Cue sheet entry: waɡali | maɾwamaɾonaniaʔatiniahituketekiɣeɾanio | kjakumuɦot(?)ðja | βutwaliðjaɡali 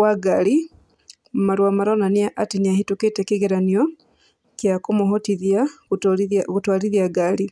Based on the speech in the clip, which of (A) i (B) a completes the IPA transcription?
A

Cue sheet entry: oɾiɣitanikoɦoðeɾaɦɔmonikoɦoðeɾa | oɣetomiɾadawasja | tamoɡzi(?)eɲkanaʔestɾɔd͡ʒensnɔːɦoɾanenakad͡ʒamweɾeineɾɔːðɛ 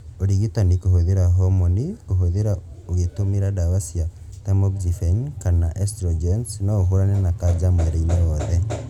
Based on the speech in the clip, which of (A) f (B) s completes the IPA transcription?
A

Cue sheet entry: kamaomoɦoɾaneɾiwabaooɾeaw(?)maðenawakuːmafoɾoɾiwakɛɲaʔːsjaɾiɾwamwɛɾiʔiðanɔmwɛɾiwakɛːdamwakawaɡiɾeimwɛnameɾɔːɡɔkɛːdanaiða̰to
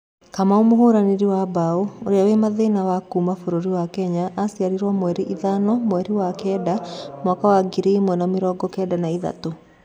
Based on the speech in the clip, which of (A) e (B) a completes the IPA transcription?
A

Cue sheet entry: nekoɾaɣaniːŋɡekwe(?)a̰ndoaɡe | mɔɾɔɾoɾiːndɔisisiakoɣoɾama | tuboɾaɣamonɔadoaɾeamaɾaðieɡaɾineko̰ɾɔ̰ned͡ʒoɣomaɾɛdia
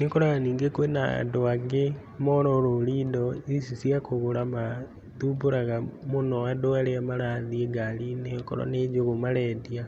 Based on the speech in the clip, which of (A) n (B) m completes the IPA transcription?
A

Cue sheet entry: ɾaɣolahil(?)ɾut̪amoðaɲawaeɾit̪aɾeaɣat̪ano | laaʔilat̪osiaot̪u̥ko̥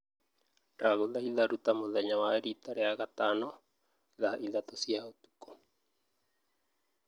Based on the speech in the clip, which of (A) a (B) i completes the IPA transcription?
A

